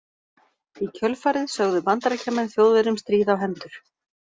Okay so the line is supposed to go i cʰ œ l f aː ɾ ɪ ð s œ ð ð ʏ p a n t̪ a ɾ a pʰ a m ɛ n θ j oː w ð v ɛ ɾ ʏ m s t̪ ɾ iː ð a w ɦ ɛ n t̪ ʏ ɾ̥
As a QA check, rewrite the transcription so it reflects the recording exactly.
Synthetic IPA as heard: i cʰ œ l f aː ɾ ɪ ð s œ ɣ ð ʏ p a n t̪ a ɾ a cʰ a m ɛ n θ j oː w ð v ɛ ɾ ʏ m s t̪ ɾ iː ð a w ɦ ɛ n t̪ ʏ ɾ̥